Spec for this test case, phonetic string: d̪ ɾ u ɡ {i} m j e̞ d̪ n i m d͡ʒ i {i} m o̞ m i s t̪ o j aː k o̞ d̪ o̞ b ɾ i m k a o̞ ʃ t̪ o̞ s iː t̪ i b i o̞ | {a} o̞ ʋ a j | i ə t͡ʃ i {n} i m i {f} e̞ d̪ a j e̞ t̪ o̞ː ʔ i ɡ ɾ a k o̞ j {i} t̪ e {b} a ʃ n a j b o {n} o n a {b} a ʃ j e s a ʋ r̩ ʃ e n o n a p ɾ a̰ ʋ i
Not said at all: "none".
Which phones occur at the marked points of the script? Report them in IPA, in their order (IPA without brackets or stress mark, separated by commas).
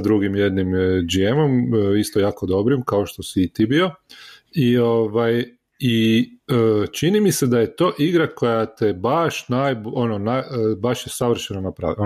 i, e, i, n, s, a, b, n, b